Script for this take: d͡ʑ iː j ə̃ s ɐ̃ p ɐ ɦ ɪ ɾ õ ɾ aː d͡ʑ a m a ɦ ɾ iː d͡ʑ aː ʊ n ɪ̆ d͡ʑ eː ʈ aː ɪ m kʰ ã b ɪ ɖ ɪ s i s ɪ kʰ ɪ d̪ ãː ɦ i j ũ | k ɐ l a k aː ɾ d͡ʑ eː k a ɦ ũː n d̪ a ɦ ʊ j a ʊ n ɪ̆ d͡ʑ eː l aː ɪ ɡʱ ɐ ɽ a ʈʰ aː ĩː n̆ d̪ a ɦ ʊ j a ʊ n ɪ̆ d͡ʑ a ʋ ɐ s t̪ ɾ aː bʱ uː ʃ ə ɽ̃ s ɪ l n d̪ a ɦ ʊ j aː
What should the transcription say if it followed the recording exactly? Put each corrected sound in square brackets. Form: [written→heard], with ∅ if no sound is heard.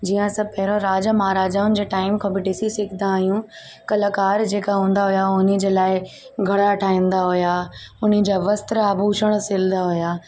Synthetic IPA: d͡ʑ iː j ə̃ s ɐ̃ p ɐ ɦ ɪ ɾ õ ɾ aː d͡ʑ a m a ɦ ɾ [iː→aː] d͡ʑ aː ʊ n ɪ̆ d͡ʑ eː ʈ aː ɪ m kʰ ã b ɪ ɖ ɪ s i s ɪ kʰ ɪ d̪ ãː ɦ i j ũ | k ɐ l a k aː ɾ d͡ʑ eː k a ɦ ũː n d̪ a ɦ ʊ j a ʊ n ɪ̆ d͡ʑ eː l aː ɪ ɡʱ ɐ ɽ a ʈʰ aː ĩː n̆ d̪ a ɦ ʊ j a ʊ n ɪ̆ d͡ʑ a ʋ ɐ s t̪ ɾ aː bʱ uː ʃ ə ɽ̃ s ɪ l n d̪ a ɦ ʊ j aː